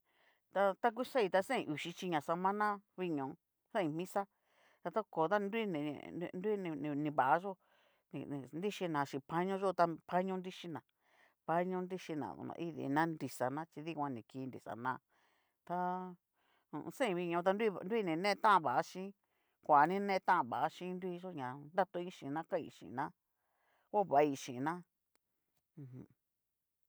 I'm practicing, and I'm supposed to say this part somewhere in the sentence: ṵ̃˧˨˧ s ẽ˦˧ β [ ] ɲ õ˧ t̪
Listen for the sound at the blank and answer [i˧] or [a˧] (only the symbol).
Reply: i˧